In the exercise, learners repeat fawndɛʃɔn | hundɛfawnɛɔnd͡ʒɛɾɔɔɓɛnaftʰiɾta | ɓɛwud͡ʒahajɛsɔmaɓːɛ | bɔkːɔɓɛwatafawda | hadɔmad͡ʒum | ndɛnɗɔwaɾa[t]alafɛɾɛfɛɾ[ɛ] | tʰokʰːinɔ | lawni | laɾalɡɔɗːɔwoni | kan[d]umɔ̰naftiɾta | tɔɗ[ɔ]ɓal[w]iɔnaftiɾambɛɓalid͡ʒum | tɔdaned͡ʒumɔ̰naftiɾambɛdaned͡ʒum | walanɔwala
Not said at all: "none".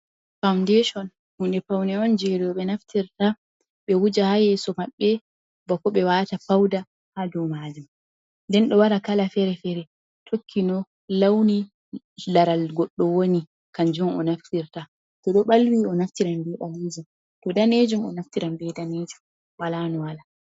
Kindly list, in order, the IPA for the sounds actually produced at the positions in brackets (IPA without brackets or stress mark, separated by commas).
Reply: k, ɛ, d͡ʒ, ɔ, w